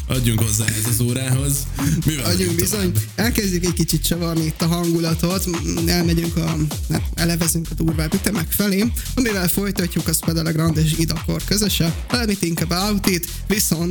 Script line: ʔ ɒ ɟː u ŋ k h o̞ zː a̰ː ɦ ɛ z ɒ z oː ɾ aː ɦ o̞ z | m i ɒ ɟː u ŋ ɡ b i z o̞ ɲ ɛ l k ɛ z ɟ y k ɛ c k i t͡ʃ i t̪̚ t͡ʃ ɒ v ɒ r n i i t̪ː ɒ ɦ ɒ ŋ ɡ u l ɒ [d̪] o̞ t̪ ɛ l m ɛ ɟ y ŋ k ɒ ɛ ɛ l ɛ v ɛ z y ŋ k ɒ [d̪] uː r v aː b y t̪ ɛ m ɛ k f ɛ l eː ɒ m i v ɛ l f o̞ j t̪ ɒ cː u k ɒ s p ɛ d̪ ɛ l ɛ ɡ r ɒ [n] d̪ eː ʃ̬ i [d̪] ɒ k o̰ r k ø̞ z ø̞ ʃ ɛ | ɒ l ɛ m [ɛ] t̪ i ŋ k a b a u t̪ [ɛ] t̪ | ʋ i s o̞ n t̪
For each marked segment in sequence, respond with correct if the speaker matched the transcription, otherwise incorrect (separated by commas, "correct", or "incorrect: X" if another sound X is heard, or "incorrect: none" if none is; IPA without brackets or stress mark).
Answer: incorrect: t̪, correct, correct, correct, incorrect: i, incorrect: i